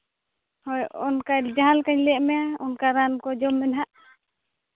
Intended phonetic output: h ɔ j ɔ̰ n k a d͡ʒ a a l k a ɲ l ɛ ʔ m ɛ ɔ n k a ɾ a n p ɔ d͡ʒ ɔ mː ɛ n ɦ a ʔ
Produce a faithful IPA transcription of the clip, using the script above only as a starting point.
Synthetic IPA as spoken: h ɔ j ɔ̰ n k a d͡ʒ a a l k a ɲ l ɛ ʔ m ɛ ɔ n k a ɾ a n k ɔ d͡ʒ ɔ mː ɛ n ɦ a ʔ